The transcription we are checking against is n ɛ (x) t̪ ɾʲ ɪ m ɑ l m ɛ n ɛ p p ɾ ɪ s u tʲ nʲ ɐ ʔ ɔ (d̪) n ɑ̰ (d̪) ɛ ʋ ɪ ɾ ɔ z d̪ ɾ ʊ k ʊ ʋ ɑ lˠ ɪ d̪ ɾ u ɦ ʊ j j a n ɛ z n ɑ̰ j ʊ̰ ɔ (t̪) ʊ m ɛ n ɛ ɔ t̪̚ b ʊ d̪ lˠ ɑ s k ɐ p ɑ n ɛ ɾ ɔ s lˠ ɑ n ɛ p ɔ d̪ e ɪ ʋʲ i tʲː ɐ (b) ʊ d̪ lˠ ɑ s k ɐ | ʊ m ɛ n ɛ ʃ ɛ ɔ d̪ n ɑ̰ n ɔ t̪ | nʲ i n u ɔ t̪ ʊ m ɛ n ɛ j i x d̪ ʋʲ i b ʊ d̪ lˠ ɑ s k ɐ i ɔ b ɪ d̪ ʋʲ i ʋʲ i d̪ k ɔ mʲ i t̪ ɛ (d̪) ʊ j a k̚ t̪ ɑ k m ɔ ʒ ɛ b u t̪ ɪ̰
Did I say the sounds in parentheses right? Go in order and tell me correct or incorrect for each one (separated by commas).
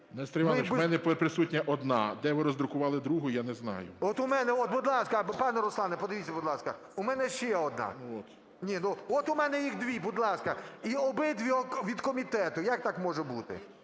incorrect, correct, correct, correct, correct, incorrect